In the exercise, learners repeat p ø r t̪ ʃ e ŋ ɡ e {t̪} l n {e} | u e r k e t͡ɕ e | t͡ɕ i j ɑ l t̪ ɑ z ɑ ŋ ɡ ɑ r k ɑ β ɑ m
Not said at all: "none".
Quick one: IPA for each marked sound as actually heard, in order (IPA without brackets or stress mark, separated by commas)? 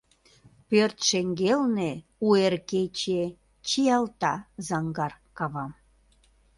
none, e